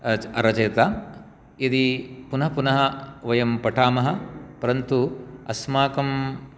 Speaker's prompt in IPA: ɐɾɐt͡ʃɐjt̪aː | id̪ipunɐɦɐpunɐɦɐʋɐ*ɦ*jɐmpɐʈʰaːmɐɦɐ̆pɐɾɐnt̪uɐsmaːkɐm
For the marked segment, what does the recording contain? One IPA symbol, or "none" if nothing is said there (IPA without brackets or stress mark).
none